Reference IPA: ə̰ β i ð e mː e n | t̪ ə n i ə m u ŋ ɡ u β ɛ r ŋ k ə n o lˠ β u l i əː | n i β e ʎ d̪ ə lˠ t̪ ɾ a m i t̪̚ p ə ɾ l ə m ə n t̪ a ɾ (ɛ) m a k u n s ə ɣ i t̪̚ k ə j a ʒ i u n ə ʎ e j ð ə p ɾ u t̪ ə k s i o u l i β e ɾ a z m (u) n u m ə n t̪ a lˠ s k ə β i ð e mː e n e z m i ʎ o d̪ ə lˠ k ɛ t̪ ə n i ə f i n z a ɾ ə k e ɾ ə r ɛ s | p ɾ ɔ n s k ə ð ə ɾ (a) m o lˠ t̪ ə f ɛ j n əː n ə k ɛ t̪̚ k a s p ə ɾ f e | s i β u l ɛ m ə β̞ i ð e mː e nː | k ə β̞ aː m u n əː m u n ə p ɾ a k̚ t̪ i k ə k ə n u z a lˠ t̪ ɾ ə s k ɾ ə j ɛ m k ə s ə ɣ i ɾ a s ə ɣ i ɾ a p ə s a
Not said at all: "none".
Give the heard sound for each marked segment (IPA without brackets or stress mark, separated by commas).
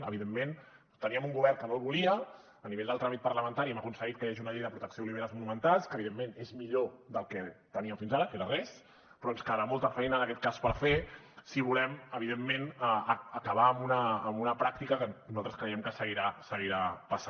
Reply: i, u, a